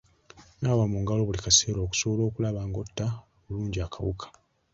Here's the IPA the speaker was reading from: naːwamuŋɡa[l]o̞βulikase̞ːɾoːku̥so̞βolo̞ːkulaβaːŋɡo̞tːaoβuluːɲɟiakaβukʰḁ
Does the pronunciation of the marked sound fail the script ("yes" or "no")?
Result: no